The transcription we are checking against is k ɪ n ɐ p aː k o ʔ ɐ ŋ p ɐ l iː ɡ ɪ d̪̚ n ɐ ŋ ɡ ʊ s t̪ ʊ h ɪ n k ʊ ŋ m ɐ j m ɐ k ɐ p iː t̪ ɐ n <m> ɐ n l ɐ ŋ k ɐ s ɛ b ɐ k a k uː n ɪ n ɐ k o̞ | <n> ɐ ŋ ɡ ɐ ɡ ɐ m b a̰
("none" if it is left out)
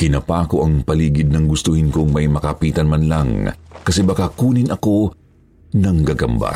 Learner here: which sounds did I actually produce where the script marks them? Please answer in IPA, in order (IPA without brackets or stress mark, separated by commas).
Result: m, n